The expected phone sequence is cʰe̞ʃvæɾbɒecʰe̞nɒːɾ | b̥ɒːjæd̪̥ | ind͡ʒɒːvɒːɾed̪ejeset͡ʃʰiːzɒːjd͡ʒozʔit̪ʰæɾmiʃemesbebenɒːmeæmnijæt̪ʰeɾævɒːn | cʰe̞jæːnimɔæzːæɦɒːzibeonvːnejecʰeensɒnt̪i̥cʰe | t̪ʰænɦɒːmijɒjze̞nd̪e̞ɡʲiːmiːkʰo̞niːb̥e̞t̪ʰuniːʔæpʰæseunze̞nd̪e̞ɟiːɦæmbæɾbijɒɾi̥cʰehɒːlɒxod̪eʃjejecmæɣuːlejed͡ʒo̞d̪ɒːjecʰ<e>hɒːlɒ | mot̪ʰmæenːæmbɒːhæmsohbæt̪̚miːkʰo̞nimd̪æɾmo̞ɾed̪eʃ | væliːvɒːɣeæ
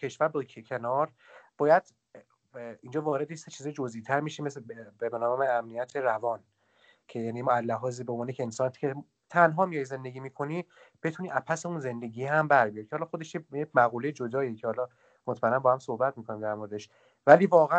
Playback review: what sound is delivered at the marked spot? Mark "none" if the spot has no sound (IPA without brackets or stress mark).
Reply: e